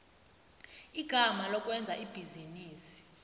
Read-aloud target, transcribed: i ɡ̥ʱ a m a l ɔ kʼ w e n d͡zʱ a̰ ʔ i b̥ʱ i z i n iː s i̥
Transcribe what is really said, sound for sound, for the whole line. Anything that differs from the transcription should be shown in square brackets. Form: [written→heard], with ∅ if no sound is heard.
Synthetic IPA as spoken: i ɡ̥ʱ a m a l ɔ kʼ w [e→ɛ] n d͡zʱ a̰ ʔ i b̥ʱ i z i n iː s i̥